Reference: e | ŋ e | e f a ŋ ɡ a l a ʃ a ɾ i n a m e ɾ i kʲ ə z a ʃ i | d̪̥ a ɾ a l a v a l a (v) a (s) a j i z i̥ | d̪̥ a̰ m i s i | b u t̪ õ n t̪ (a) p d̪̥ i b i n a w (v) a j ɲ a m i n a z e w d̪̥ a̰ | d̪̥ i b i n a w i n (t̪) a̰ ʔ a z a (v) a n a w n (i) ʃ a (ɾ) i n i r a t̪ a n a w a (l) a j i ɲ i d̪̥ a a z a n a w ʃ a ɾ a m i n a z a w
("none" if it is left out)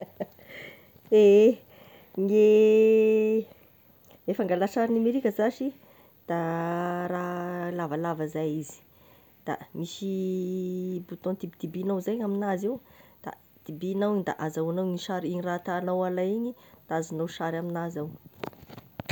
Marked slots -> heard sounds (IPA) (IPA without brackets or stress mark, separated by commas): v, z, i, z, d̪, w, i, ɾ, l